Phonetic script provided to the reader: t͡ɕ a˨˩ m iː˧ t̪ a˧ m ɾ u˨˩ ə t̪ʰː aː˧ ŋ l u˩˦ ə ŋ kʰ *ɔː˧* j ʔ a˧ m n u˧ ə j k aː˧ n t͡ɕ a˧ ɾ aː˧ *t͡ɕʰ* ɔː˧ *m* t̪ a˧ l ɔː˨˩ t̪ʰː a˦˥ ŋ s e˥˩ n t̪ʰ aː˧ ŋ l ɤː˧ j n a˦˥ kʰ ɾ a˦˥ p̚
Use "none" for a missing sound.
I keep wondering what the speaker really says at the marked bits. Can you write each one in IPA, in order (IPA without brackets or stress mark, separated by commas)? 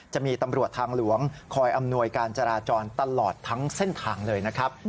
ɔː˧, t͡ɕ, n